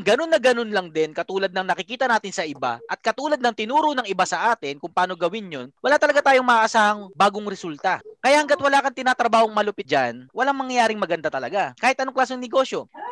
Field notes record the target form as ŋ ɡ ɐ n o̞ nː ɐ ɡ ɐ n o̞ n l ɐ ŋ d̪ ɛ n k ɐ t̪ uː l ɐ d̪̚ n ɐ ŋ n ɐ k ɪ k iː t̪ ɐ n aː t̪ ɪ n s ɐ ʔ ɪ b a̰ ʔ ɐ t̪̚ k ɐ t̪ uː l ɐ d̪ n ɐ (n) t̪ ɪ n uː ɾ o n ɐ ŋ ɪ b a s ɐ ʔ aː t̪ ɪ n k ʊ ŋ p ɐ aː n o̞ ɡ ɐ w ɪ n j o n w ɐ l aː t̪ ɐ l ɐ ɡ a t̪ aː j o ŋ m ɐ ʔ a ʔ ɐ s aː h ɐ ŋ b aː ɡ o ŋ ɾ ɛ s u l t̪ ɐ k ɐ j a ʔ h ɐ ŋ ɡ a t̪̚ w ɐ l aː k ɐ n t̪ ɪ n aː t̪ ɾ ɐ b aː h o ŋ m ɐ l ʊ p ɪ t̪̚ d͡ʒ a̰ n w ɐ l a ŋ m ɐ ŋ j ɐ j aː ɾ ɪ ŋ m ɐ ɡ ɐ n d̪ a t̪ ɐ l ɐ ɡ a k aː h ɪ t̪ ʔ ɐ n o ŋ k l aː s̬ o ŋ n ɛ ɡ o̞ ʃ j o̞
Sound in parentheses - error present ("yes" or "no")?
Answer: yes